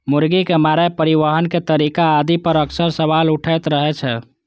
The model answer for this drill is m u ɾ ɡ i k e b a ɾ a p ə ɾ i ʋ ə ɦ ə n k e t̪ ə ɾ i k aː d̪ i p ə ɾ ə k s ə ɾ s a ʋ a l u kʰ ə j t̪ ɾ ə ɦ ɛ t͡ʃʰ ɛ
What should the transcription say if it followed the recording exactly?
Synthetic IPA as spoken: m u ɾ ɡ i k e m a ɾ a p ə ɾ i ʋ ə ɦ ə n k e t̪ ə ɾ i k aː d̪ i p ə ɾ ə k s ə ɾ s ə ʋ a l u ʈʰ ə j t̪ ɾ ə ɦ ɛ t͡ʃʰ ɛ

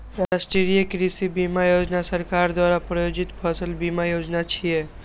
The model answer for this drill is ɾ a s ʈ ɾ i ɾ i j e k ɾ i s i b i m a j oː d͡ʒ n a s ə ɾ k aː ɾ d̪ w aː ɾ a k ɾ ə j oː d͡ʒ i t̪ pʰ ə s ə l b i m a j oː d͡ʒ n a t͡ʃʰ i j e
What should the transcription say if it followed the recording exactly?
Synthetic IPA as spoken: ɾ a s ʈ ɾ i ɾ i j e k ɾ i s i b i m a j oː d͡ʒ n a s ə ɾ k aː ɾ d̪ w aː ɾ a p ɾ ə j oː d͡ʒ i t̪ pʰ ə s ə l b i m a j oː d͡ʒ n a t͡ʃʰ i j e

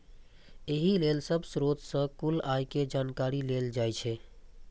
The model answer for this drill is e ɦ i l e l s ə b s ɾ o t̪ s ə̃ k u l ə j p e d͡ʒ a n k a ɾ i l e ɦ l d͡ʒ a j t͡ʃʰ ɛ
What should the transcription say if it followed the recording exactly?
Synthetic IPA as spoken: e ɦ i l e l s ə b s ɾ o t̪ s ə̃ k u l a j k e d͡ʒ a n k a ɾ i l e l d͡ʒ a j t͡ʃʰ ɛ

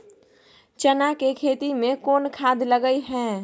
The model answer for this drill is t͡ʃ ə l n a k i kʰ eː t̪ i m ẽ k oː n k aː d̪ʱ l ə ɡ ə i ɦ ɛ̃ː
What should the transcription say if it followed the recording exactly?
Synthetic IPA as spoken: t͡ʃ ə n a k e kʰ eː t̪ i m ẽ k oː n kʰ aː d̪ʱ l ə ɡ ə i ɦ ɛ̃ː

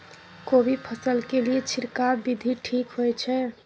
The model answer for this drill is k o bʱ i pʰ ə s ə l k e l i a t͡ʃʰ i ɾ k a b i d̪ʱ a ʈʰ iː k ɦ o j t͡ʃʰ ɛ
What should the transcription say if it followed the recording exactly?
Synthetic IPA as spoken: k o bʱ i pʰ ə s ə l k e l i e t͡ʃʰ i ɾ k a b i d̪ʱ i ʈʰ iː k ɦ o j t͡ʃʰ ɛ

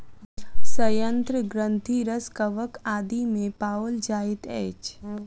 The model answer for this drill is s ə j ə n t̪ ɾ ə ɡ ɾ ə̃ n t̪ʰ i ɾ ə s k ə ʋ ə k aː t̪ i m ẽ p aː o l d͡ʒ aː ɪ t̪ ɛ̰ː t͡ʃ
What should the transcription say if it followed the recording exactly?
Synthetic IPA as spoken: s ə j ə n t̪ ɾ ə ɡ ɾ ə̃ n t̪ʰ i ɾ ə s k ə ʋ ə k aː d̪ i m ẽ p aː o l d͡ʒ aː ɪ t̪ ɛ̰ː t͡ʃ

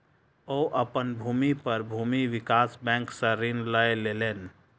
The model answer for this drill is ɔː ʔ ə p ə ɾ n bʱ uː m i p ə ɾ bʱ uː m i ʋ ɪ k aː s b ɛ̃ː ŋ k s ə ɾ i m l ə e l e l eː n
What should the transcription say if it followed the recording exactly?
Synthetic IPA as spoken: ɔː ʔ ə p ə n bʱ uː m i p ə ɾ bʱ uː m i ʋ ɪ k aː s b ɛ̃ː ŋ k s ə ɾ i n l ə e l e l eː n

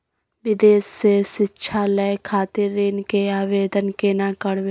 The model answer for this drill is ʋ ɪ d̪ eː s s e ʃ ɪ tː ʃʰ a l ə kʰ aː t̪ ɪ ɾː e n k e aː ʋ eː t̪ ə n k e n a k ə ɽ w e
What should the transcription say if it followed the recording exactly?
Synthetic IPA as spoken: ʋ ɪ d̪ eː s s e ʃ ɪ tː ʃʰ a l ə kʰ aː t̪ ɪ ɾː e n k e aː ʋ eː d̪ ə n k e n a k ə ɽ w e

